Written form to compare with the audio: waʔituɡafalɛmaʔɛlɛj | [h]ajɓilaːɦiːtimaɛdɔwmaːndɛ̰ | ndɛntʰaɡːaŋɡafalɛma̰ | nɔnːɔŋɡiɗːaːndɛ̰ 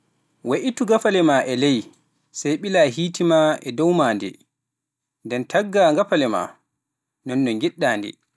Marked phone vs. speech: incorrect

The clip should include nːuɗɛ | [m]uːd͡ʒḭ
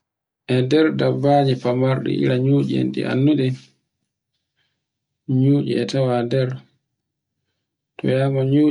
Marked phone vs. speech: incorrect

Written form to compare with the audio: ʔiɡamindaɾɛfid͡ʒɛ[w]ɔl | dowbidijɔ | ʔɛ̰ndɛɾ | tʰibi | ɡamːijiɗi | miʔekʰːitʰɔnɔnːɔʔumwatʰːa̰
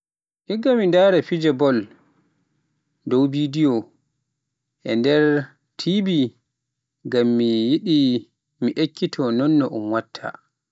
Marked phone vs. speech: incorrect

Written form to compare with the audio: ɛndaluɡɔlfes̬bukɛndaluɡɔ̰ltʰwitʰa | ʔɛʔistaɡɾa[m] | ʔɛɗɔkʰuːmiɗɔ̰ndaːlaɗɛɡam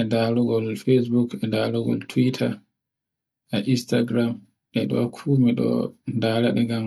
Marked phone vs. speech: correct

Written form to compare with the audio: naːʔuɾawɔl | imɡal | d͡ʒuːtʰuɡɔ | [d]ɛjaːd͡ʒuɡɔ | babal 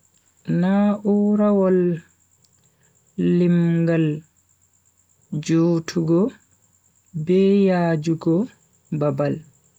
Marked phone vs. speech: incorrect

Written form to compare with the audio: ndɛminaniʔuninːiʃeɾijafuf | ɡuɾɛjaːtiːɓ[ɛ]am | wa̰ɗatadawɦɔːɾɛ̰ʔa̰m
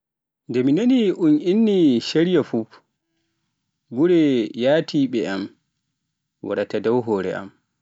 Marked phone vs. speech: correct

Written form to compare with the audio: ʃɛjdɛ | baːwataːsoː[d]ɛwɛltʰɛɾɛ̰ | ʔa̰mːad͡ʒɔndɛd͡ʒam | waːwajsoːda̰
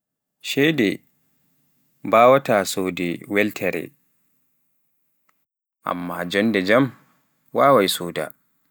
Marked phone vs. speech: correct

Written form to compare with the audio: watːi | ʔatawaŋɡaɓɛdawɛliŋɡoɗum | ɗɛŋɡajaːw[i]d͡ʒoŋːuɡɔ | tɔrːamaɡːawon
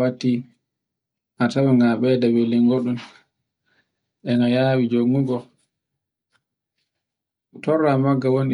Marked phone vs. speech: correct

